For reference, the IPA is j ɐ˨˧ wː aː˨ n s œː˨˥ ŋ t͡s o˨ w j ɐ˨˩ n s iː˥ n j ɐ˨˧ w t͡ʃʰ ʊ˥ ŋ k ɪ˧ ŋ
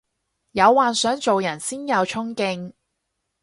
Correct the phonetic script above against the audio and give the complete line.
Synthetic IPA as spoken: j ɐ˨˧ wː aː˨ n s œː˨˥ ŋ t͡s o˨ w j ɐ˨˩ n s iː˥ n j ɐ˨˧ w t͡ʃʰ ʊ˥ ŋ k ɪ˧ ŋ

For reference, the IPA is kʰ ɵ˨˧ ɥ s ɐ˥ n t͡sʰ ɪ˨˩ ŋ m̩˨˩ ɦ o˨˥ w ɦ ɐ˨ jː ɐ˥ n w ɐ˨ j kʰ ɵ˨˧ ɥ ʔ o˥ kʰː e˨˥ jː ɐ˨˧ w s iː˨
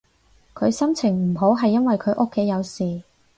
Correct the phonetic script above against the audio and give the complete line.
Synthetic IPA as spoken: kʰ ɵ˨˧ ɥ s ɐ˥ m t͡sʰ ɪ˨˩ ŋ m̩˨˩ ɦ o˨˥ w ɦ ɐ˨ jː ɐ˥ n w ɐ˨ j kʰ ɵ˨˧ ɥ ʔ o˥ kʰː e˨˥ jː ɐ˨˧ w s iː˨

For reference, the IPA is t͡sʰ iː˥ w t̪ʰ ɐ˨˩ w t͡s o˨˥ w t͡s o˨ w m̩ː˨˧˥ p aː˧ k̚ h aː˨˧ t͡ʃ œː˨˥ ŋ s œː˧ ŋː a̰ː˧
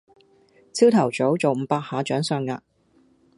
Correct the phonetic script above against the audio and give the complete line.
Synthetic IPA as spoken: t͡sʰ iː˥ w t̪ʰ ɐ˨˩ w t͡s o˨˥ w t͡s o˨ w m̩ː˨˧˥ p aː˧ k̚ h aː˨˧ t͡ʃ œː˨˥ ŋ s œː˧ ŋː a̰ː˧

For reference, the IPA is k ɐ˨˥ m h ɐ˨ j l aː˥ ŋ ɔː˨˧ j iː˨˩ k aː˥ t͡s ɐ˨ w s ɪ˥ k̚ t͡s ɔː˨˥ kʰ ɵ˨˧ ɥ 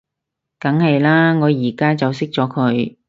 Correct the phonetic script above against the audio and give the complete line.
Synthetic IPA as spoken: k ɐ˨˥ ŋ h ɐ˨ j l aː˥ ŋ ɔː˨˧ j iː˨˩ k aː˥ t͡s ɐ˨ w s ɪ˥ k̚ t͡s ɔː˨˥ kʰ ɵ˨˧ ɥ

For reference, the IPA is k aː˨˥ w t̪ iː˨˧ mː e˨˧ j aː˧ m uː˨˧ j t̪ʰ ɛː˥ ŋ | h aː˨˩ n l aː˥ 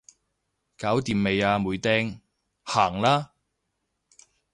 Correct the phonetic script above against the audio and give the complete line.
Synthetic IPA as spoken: k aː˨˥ w t̪ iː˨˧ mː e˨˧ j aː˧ m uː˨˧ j t̪ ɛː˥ ŋ | h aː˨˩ ŋ l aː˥

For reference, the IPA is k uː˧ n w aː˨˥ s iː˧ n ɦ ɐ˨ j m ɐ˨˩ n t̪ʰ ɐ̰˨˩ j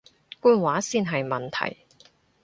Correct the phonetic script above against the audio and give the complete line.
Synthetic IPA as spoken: k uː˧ n w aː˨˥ s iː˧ n ɦ ɐ˨ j m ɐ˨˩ n t̪ʰ ɐ̰˨˩ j

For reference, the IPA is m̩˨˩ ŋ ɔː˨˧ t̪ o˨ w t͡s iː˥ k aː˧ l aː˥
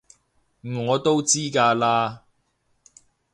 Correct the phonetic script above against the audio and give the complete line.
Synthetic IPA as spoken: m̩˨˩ ŋ ɔː˨˧ t̪ o˥ w t͡s iː˥ k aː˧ l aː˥

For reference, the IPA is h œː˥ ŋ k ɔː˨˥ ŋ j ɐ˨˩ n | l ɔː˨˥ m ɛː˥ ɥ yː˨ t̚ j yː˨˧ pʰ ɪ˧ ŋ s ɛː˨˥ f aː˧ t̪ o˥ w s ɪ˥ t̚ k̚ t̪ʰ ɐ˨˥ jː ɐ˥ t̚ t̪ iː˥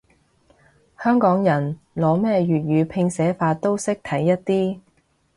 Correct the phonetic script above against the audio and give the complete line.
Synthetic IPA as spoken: h œː˥ ŋ k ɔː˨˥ ŋ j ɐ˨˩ n | l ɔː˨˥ m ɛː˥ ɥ yː˨ t̚ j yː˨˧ pʰ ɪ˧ ŋ s ɛː˨˥ f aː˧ t̪ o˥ w s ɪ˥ k̚ t̪ʰ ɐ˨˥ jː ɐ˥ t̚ t̪ iː˥

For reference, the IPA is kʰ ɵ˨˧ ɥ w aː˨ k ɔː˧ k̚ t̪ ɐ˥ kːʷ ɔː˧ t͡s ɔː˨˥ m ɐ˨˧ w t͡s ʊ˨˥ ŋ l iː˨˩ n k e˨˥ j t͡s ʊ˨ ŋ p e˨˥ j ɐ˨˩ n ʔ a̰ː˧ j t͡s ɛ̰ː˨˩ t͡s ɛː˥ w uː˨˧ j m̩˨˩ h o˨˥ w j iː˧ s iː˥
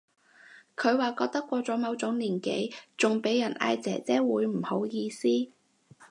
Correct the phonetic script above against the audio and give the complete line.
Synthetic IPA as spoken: kʰ ɵ˨˧ ɥ w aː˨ k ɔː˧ k̚ t̪ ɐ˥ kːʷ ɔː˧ t͡s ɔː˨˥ m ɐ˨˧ w t͡s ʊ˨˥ ŋ l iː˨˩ n k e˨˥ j t͡s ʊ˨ ŋ p e˨˥ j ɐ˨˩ n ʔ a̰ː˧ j t͡s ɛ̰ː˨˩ t͡s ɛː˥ w uː˨˧ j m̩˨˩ h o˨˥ w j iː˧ s iː˥

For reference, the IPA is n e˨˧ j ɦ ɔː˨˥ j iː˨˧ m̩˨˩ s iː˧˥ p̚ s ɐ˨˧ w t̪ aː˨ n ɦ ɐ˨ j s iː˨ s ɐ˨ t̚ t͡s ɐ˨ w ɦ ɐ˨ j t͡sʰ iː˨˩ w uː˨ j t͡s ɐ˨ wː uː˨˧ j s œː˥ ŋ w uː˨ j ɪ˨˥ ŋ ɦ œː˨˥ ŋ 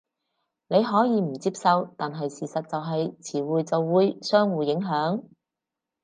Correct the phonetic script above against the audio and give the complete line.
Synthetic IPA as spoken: n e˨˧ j ɦ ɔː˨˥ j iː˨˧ m̩˨˩ t͡s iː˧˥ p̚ s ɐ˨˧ w t̪ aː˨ n ɦ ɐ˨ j s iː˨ s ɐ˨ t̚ t͡s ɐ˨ w ɦ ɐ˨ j t͡sʰ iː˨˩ w uː˨ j t͡s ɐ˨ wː uː˨˧ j s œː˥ ŋ w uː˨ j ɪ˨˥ ŋ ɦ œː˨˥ ŋ

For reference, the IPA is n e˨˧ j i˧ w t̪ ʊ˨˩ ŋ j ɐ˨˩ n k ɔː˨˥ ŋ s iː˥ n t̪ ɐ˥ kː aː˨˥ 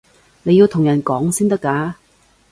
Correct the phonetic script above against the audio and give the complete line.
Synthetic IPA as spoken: n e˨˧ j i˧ w t̪ʰ ʊ˨˩ ŋ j ɐ˨˩ n k ɔː˨˥ ŋ s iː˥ n t̪ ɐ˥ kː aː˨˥

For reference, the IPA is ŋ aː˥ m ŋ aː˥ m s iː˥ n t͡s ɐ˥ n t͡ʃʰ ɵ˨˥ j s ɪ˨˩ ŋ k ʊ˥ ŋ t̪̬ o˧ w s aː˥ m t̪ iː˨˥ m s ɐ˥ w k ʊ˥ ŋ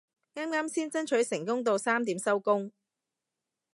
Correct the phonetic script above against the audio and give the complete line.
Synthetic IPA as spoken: ŋ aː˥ m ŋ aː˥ m s iː˥ n t͡s ɐ˥ n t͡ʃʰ ɵ˨˥ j s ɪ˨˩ ŋ k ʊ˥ ŋ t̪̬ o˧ w s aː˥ m t̪ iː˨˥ m s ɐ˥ w k ʊ˥ ŋ

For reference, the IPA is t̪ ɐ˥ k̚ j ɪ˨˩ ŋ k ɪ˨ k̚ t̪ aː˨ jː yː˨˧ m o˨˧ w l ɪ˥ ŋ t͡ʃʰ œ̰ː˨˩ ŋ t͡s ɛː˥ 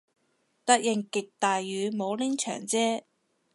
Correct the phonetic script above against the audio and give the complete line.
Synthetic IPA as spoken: t̪ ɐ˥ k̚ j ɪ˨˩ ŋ k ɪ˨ k̚ t̪ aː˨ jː yː˨˧ m o˨˧ w l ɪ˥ ŋ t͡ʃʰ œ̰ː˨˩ ŋ t͡s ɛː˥

